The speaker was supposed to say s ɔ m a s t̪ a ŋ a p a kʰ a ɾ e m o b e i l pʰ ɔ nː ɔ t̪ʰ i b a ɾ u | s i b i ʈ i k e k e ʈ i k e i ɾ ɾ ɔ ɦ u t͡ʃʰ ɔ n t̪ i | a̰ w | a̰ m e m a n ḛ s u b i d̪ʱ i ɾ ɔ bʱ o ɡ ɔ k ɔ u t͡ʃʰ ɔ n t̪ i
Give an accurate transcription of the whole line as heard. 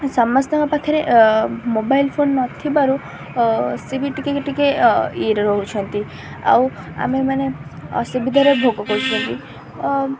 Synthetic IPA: s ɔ m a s t̪ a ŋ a p a kʰ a ɾ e m o b a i l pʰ o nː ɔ t̪ʰ i b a ɾ u | s i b i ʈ i k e k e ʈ i k e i ɾ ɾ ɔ ɦ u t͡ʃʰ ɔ n t̪ i | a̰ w | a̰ m e m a n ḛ s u b i d̪ʱ a ɾ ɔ bʱ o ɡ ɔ k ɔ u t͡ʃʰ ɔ n t̪ i